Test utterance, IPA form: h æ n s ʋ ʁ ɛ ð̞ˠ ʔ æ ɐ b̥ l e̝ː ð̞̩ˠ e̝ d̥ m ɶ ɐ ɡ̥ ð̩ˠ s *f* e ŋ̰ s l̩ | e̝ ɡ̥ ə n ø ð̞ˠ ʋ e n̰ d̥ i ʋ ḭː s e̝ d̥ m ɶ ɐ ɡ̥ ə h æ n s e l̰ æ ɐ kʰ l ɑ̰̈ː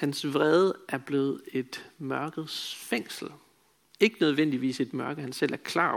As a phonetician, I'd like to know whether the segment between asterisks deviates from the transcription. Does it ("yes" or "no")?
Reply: no